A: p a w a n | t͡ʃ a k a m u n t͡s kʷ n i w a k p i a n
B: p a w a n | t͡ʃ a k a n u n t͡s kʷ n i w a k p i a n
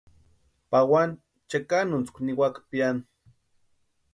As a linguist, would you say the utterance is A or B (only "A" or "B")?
B